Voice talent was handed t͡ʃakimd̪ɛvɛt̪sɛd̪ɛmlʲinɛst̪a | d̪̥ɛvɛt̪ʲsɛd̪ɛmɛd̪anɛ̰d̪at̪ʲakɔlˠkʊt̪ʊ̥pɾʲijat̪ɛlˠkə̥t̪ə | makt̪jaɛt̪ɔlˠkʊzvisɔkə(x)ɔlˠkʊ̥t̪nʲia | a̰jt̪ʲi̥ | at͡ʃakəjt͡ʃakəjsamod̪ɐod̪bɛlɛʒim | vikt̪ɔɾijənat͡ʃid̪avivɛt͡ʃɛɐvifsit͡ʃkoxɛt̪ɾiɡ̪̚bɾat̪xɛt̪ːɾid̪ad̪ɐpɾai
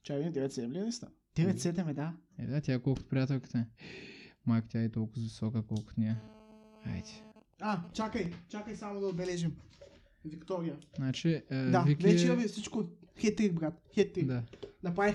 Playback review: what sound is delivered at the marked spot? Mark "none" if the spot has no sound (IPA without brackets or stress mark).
k